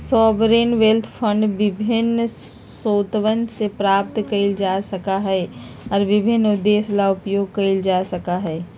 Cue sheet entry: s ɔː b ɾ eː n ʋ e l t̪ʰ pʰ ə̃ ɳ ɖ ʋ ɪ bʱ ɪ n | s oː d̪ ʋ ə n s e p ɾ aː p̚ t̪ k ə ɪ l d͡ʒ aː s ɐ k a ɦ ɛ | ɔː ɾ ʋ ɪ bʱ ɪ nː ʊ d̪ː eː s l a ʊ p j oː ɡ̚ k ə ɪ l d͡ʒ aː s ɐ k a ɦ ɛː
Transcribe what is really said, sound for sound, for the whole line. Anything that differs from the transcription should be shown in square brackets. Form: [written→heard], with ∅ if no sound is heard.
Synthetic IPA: s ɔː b ɾ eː n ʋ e l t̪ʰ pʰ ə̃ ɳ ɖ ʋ ɪ bʱ ɪ n | s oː [d̪→t̪] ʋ ə n s e p ɾ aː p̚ t̪ k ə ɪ l d͡ʒ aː s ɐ k a ɦ ɛ | ɔː ɾ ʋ ɪ bʱ ɪ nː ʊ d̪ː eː s l a ʊ p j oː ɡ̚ k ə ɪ l d͡ʒ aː s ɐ k a ɦ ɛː